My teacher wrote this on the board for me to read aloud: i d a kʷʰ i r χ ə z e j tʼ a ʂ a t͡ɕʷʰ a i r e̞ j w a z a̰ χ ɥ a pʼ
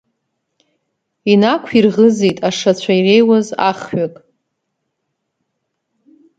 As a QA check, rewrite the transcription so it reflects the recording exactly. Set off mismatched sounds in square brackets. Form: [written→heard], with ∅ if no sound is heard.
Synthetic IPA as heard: i [d→n] a kʷʰ i r [χ→ʁ] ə z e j tʼ a ʂ a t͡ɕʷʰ a i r e̞ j w a z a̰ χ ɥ a [pʼ→kʼ]